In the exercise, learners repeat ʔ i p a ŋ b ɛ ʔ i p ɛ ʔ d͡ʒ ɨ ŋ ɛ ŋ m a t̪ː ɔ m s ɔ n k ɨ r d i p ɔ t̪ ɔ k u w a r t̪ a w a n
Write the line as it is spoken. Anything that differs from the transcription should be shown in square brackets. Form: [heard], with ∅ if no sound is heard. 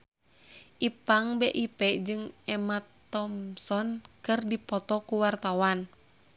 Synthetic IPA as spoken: ʔ i p a ŋ b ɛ ʔ i p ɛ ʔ d͡ʒ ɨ ŋ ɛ [∅] m a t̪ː ɔ m s ɔ n k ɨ r d i p ɔ t̪ ɔ k u w a r t̪ a w a n